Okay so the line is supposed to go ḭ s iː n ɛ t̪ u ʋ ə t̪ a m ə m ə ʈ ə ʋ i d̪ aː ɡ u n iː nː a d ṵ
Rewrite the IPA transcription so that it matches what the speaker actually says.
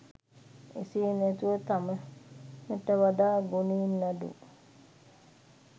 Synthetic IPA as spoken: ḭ s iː n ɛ t̪ u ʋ ə t̪ a m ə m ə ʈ ə ʋ a d̪ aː ɡ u n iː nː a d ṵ